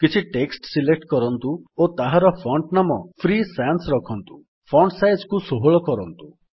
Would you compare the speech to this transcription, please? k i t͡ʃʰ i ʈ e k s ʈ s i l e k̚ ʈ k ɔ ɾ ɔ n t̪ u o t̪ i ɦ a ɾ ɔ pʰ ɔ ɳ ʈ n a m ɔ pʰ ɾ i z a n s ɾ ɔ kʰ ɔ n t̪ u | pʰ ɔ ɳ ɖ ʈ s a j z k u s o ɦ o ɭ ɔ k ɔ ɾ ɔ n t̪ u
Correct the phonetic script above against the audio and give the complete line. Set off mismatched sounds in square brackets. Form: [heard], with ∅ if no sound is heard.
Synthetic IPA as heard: k i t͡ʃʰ i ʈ e k s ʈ s i l e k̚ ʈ k ɔ ɾ ɔ n t̪ u o t̪ [a] ɦ a ɾ ɔ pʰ ɔ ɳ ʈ n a m ɔ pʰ ɾ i [s] a n s ɾ ɔ kʰ ɔ n t̪ u | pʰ ɔ ɳ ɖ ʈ s a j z k u s o ɦ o ɭ ɔ k ɔ ɾ ɔ n t̪ u